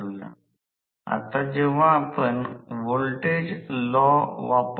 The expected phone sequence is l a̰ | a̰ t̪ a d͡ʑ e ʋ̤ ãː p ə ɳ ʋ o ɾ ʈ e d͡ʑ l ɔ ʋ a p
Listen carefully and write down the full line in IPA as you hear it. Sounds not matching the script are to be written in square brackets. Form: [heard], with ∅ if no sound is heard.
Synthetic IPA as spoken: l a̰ | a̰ t̪ a d͡ʑ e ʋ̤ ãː p ə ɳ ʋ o [l] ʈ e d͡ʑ l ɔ ʋ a p